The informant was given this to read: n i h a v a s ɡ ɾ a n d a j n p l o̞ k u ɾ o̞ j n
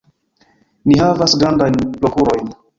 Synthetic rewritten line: n i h a v a s ɡ ɾ a n d a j n p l o̞ k u ɾ o̞ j n